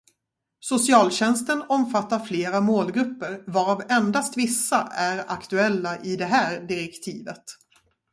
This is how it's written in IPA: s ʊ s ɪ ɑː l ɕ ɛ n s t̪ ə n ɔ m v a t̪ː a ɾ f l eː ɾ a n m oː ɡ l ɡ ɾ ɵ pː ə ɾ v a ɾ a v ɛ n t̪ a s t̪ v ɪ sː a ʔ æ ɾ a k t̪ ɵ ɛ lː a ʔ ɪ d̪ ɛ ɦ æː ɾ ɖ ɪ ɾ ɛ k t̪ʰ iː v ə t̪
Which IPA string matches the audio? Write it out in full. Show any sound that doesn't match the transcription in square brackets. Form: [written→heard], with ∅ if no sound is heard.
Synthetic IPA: s ʊ s ɪ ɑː l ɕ ɛ n s t̪ ə n ɔ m [v→f] a t̪ː a ɾ f l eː ɾ a [n→∅] m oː [ɡ→∅] l ɡ ɾ ɵ pː ə ɾ v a ɾ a v ɛ n [t̪→d̪] a s t̪ v ɪ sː a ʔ æ ɾ a k t̪ ɵ ɛ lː a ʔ ɪ d̪ ɛ ɦ æː ɾ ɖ ɪ ɾ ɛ k t̪ʰ iː v ə t̪